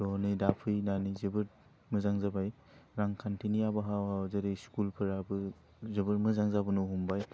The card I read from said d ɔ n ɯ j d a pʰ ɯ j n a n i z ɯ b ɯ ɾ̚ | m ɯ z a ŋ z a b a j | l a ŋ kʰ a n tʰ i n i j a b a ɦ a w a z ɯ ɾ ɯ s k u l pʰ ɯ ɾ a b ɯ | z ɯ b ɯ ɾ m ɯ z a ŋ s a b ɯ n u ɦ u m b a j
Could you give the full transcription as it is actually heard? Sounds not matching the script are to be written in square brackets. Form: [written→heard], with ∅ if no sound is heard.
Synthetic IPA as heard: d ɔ n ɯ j d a pʰ ɯ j n a n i z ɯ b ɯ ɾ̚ | m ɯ z a ŋ z a b a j | [l→ɾ] a ŋ kʰ a n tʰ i n i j a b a ɦ a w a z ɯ ɾ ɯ s k u l pʰ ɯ ɾ a b ɯ | z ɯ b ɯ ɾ m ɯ z a ŋ [s→z] a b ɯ n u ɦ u m b a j